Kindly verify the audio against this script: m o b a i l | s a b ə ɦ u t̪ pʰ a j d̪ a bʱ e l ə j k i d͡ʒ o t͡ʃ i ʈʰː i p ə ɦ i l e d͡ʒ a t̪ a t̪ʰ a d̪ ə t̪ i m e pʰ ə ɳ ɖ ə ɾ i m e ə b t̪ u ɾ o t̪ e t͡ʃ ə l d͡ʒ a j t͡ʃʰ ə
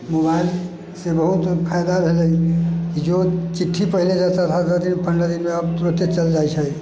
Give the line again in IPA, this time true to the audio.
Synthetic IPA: m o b a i l | s e b ə ɦ u t̪ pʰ a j d̪ a bʱ e l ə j k i d͡ʒ o t͡ʃ i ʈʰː i p ə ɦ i l e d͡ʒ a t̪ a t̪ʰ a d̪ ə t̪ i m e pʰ ə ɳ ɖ ə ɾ i m e ə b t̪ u ɾ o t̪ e t͡ʃ ə l d͡ʒ a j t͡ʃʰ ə